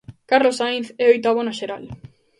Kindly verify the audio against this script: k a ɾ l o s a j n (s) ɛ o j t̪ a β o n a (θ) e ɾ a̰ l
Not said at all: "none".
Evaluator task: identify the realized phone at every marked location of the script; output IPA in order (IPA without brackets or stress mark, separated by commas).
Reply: θ, ʃ